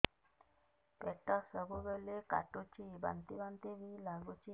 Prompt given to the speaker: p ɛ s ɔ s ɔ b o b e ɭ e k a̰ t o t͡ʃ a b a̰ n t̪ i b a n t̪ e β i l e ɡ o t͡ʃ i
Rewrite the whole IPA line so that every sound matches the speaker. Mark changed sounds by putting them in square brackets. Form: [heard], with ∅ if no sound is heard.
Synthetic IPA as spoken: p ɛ [t] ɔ s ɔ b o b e [l] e k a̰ t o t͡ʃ [i] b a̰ n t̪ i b a n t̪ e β i l [a] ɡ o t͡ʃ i